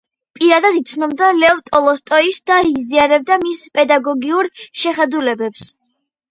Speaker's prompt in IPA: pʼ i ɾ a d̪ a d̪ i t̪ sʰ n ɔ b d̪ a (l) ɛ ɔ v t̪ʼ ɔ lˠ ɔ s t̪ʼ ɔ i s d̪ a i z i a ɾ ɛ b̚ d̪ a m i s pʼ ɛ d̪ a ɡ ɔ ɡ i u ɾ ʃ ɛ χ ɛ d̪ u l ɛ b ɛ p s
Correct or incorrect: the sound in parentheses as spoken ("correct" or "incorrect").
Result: correct